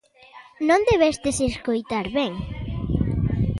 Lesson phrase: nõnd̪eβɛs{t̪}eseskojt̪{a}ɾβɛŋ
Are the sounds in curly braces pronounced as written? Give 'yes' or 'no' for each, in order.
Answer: yes, yes

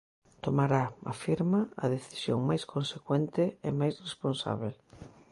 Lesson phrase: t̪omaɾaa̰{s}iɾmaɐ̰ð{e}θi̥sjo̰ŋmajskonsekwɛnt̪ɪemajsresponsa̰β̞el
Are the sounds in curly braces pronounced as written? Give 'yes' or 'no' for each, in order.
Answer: no, yes

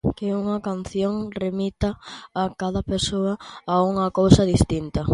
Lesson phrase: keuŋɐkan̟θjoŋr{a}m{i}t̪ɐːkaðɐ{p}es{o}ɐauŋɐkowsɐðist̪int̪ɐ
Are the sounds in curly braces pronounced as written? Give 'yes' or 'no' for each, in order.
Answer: no, yes, yes, yes

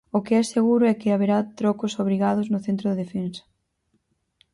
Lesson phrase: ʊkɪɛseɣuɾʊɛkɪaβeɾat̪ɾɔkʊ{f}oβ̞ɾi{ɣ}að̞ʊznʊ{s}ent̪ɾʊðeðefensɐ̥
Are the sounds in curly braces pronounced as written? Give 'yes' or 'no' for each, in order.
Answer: no, yes, no

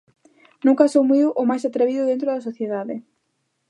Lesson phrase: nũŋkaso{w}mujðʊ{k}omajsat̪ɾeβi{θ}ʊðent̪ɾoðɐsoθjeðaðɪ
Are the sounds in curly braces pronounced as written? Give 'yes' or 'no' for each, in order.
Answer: yes, no, no

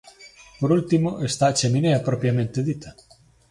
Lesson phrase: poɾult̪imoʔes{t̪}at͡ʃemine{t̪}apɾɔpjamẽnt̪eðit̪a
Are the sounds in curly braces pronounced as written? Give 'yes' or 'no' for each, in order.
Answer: yes, no

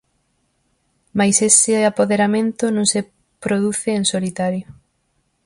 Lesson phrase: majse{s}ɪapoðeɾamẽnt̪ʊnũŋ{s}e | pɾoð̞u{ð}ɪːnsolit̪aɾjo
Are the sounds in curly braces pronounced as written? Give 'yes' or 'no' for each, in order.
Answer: yes, yes, no

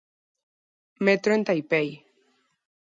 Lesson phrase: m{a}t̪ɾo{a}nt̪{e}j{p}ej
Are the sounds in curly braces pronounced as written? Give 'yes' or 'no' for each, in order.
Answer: no, no, no, yes

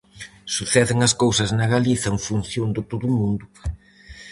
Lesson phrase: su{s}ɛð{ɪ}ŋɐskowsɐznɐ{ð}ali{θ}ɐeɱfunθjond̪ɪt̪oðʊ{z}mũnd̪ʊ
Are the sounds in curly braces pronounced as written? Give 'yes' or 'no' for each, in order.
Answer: no, yes, no, yes, no

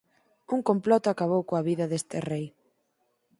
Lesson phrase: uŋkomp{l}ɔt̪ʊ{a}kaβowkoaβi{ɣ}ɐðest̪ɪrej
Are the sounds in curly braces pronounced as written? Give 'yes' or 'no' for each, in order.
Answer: yes, yes, no

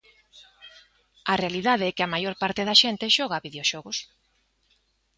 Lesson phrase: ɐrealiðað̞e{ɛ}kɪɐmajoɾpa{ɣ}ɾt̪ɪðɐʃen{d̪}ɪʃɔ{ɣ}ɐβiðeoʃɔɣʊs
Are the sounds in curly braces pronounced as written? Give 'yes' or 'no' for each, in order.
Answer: yes, no, no, yes

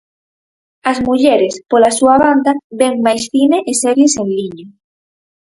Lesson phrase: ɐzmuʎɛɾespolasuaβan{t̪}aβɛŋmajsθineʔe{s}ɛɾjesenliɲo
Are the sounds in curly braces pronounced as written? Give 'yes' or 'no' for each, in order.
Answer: no, yes

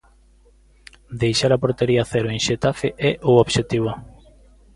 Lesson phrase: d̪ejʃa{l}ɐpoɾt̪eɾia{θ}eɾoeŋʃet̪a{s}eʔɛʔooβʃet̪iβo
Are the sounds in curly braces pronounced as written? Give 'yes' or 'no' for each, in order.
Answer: no, yes, no

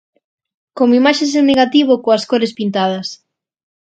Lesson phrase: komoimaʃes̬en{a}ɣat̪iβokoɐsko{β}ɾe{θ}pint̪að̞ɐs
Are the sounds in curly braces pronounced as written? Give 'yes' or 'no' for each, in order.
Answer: no, no, no

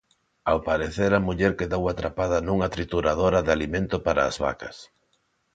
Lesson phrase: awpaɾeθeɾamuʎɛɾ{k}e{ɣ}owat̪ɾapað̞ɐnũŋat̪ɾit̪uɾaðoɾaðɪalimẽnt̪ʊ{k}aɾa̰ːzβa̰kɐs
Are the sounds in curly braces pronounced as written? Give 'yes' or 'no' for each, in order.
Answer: yes, no, no

